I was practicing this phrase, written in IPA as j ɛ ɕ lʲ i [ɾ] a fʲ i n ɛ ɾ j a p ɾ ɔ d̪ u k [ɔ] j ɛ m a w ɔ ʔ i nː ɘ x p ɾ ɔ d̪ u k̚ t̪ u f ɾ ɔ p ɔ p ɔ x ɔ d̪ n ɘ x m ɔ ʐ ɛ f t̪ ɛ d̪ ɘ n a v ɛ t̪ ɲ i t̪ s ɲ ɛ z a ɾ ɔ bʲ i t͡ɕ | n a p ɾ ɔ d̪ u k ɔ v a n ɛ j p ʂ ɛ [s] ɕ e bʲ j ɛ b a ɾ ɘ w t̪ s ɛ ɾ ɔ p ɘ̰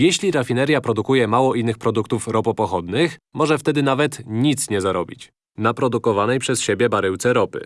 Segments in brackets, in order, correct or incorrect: correct, incorrect: u, correct

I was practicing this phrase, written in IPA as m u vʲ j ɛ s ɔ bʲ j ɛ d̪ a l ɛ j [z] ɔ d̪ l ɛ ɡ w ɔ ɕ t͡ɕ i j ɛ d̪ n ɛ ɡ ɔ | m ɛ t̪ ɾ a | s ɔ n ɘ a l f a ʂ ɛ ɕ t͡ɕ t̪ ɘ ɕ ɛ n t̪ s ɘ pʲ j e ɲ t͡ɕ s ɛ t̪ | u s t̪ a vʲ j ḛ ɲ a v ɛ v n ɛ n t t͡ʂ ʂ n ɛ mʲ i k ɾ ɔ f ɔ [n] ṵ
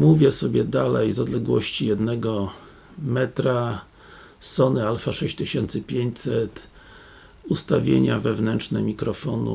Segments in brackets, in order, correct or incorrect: correct, correct

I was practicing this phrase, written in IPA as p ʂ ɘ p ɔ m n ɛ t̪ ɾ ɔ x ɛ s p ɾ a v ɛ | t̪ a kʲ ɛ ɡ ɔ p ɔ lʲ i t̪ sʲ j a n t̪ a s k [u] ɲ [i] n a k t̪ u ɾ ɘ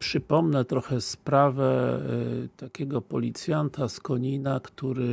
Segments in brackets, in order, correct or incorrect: incorrect: ɔ, correct

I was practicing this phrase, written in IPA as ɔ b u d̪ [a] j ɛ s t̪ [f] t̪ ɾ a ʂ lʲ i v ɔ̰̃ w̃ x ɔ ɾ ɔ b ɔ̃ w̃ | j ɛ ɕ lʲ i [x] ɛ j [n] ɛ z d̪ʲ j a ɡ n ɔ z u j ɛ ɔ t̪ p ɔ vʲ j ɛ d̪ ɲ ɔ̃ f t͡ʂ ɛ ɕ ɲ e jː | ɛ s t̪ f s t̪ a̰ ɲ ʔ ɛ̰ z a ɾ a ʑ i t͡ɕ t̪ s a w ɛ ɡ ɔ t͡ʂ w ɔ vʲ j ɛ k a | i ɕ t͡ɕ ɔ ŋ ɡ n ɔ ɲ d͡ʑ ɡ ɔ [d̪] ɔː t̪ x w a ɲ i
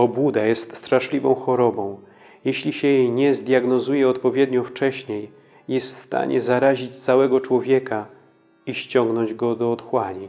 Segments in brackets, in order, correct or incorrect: correct, incorrect: s, incorrect: ɕ, incorrect: ɲ, correct

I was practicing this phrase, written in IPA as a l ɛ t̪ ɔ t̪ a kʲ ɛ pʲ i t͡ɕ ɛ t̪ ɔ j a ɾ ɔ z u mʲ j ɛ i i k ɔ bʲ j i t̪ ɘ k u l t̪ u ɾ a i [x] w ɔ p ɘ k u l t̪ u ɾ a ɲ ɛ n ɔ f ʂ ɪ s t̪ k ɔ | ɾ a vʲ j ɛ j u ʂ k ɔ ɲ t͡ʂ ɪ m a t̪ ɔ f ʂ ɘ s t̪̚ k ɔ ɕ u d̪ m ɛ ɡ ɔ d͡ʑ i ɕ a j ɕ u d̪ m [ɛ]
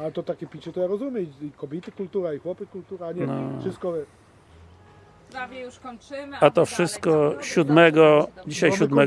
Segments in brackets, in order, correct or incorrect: correct, correct

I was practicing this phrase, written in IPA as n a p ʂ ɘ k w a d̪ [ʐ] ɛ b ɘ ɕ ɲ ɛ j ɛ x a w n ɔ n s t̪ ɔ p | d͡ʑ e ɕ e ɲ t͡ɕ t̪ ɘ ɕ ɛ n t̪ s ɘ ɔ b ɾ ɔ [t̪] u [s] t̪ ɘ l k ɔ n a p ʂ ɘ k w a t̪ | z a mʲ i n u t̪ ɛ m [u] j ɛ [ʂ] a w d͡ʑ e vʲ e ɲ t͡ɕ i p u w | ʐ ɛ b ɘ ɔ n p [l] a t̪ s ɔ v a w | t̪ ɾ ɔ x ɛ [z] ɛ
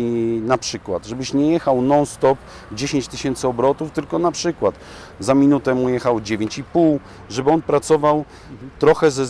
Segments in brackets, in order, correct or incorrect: correct, correct, incorrect: f, correct, incorrect: x, incorrect: ɾ, correct

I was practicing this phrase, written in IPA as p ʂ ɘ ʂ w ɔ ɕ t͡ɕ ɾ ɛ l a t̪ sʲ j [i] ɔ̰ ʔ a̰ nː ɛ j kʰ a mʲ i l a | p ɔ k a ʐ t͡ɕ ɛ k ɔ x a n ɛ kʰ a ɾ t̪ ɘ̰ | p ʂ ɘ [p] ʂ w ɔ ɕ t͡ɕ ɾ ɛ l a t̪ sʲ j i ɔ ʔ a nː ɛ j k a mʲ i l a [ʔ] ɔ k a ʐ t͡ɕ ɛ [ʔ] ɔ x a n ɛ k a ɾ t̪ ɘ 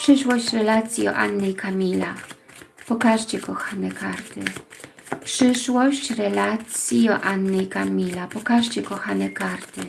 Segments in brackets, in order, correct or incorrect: correct, incorrect: none, incorrect: p, incorrect: k

